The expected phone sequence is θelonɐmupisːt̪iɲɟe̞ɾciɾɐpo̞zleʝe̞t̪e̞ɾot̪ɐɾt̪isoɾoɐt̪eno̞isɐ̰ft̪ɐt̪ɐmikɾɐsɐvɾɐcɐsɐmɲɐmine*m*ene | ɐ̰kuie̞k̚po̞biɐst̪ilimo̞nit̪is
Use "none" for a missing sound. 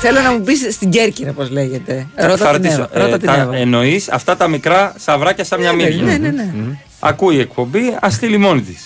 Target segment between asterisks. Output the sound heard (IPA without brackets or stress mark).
n